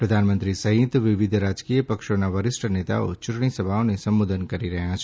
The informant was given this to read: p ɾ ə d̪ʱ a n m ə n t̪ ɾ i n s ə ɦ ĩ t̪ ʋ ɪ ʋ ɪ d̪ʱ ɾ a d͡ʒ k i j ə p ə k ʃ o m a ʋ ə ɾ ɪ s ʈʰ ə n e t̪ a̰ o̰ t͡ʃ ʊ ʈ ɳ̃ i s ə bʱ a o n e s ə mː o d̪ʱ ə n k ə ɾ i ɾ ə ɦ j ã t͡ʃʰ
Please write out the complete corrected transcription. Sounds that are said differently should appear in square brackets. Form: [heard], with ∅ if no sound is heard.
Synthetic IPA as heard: p ɾ ə d̪ʱ a n m ə n t̪ ɾ i [∅] s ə ɦ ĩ t̪ ʋ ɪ ʋ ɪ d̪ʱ ɾ a d͡ʒ k i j ə p ə k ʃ o [n] a ʋ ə ɾ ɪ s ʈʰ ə n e t̪ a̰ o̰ t͡ʃ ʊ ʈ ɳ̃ i s ə bʱ a o n e s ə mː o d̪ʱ ə n k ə ɾ i ɾ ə ɦ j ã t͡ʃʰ